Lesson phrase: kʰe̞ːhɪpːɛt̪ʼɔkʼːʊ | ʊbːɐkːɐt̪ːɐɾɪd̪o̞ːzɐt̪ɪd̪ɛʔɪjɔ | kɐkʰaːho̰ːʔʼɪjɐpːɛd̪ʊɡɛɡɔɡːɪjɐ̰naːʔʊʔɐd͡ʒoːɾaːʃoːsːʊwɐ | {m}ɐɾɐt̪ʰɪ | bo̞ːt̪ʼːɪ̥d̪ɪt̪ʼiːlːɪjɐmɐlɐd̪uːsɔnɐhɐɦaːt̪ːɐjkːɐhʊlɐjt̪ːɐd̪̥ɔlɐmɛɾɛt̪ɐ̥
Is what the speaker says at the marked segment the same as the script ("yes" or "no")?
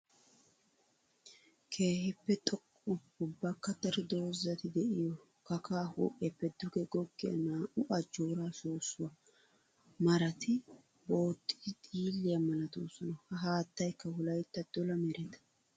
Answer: yes